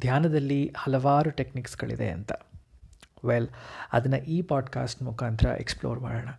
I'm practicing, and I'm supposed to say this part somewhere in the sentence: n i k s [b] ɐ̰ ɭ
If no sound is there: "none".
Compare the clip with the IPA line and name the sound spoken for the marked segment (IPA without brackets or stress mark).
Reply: ɡ